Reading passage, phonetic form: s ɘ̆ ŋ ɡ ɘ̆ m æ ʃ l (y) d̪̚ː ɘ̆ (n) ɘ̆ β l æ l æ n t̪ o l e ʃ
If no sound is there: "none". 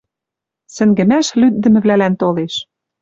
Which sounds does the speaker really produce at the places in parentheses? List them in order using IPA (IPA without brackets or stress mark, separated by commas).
y, m